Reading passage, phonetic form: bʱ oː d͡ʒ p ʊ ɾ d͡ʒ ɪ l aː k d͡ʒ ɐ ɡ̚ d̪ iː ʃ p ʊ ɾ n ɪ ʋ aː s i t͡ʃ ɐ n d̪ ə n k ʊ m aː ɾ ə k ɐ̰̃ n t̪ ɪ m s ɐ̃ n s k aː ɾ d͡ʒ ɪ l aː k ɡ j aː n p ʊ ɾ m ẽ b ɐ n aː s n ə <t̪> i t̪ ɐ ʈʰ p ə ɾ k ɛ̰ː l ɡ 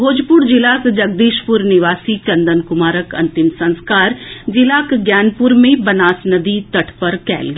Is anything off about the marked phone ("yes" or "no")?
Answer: yes